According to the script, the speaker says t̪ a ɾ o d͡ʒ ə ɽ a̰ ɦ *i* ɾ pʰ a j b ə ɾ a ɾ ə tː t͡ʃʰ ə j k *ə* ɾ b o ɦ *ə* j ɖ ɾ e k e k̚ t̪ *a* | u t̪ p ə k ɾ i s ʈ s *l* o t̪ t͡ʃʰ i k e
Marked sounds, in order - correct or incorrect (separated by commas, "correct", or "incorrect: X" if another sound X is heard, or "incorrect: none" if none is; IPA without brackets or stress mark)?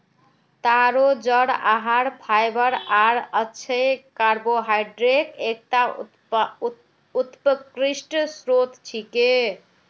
incorrect: a, incorrect: a, incorrect: a, correct, incorrect: ɾ